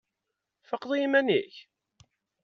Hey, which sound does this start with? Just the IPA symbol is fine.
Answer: f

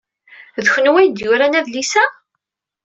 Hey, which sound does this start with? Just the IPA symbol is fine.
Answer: ð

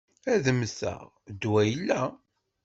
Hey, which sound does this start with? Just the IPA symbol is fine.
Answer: æ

